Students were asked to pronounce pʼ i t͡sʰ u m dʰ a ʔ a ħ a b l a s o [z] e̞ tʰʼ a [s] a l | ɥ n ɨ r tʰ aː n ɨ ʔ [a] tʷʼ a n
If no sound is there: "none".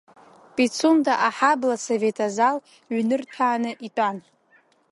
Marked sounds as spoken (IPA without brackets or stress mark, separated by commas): v, z, i